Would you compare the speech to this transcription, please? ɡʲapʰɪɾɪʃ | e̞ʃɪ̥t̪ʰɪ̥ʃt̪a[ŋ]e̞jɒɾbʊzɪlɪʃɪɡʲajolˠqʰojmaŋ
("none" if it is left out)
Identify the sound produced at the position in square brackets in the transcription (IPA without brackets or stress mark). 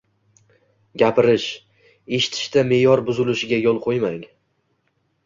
m